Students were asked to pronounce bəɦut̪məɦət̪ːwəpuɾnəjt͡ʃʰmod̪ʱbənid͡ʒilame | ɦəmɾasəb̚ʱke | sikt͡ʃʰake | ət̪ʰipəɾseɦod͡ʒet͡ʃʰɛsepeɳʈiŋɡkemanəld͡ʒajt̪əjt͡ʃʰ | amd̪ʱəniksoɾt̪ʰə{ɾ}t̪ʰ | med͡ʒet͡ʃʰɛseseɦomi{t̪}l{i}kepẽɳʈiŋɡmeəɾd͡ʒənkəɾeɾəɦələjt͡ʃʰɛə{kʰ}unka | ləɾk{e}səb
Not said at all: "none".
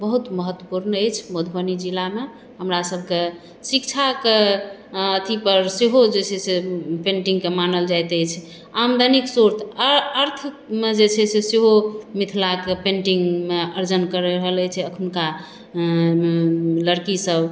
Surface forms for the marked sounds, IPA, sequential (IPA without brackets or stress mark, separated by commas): ɾ, t̪ʰ, a, kʰ, i